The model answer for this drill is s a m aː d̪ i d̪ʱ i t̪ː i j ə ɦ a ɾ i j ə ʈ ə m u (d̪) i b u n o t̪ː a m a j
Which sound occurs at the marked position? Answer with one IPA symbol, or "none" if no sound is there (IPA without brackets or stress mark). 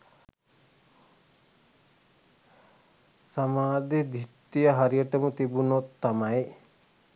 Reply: t̪